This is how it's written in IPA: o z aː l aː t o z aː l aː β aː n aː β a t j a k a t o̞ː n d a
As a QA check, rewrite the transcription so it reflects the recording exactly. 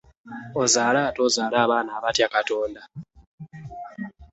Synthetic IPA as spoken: o z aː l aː t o z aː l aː β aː n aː β a t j a k a t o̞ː n d a